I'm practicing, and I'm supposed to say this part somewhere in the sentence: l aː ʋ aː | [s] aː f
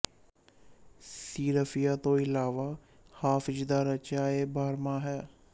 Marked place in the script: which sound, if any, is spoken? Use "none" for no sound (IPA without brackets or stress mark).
h